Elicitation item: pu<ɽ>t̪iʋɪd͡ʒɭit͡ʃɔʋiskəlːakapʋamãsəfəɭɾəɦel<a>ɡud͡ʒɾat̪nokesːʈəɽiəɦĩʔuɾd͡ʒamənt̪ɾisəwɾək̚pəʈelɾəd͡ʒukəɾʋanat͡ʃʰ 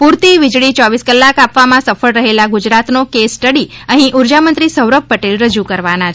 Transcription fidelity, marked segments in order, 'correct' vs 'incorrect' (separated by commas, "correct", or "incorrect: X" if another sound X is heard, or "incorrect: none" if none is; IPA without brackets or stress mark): incorrect: ɾ, correct